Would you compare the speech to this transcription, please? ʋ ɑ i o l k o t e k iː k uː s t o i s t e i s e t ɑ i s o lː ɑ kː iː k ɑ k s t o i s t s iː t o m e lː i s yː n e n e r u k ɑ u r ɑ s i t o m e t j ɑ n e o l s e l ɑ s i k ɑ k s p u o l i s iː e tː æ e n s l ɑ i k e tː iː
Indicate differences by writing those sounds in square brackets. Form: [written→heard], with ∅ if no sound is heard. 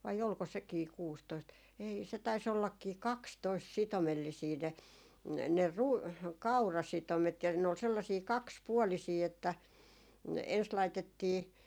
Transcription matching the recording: ʋ ɑ i o l k o [t→s] e k iː k uː s t o i s t e i s e t ɑ i s o lː ɑ kː iː k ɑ k s t o i s t s [iː→i] t o m e lː i s [yː→iː] n e n e r u k ɑ u r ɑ s i t o m e t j ɑ n e o l s e [l→lː] ɑ s [i→iː] k ɑ k s p u o l i s iː e tː æ e n s l ɑ i [k→t] e tː iː